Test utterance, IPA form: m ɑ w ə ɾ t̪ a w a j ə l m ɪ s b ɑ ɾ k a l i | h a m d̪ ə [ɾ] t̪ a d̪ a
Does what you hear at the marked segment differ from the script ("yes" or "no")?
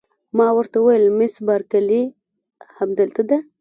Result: yes